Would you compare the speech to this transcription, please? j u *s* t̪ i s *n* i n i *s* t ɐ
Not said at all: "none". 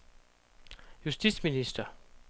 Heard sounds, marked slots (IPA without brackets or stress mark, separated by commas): s, m, s